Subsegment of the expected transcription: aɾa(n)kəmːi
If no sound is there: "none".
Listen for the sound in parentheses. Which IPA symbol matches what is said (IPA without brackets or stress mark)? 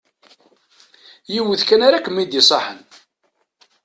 none